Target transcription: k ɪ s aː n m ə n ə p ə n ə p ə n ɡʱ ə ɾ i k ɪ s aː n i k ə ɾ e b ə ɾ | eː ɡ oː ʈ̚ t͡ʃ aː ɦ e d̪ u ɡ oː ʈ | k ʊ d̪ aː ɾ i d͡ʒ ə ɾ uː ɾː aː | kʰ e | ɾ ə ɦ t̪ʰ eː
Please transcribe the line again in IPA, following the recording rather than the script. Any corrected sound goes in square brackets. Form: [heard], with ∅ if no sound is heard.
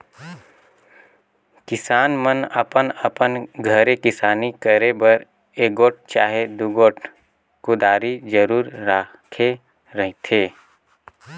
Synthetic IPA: k ɪ s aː n m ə n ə p ə n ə p ə n ɡʱ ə ɾ [e] k ɪ s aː n i k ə ɾ e b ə ɾ | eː ɡ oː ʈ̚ t͡ʃ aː ɦ e d̪ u ɡ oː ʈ | k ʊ d̪ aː ɾ i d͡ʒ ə ɾ uː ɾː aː | kʰ e | ɾ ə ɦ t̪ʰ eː